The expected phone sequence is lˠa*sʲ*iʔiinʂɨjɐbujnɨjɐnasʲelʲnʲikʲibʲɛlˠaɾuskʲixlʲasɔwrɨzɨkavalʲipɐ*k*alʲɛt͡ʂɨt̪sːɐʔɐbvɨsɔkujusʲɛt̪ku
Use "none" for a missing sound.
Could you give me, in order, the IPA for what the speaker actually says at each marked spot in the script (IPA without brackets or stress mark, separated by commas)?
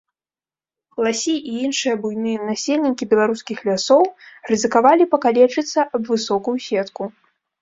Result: sʲ, k